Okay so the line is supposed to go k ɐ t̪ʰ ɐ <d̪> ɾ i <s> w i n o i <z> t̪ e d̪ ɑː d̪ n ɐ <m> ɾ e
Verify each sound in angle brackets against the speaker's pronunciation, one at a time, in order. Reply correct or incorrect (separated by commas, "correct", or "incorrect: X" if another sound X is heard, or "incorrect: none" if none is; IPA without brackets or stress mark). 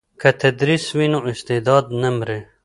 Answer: correct, correct, incorrect: s, correct